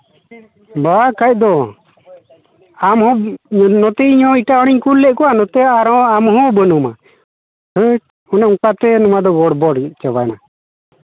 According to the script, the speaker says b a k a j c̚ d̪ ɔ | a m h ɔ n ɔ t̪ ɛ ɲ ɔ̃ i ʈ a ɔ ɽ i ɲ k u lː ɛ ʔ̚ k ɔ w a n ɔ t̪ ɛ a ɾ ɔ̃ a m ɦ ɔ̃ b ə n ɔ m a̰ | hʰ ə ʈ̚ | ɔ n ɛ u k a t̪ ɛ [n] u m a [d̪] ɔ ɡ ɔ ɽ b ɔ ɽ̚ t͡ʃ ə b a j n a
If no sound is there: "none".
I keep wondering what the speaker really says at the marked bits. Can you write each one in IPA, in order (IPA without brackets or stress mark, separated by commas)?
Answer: n, d̪